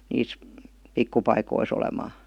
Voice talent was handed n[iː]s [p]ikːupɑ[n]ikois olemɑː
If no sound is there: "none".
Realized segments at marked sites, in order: iː, p, none

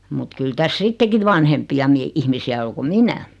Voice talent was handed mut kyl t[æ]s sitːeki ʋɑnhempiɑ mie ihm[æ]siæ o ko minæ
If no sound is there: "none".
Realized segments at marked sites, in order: æ, i

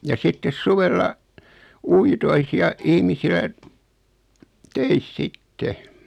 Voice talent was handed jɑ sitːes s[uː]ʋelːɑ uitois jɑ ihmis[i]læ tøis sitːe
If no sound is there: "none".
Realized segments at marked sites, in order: u, i

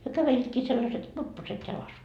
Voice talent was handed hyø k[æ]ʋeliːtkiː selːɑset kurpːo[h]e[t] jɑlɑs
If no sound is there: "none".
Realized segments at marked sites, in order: æ, s, t

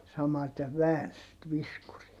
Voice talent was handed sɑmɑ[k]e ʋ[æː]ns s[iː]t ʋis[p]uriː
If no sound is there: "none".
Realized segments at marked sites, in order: t, æː, i, k

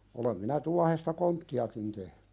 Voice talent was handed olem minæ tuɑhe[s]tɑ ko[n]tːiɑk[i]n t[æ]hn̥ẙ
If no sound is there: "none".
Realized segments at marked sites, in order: s, n, i, e

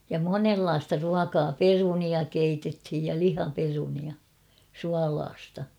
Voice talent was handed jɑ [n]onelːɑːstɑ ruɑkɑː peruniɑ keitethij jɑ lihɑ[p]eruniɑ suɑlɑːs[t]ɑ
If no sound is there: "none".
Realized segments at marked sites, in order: m, p, t

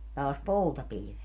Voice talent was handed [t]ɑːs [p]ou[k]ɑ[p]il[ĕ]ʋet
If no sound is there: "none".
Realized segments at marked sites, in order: t, p, t, p, ĭ

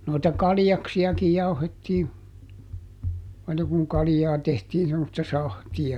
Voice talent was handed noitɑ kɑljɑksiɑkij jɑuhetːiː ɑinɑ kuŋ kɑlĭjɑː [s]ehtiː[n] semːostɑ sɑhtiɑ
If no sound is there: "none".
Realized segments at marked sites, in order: t, n

